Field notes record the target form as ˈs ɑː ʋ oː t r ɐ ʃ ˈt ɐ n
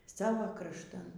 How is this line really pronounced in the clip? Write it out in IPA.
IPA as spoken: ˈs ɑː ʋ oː k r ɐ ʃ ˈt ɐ n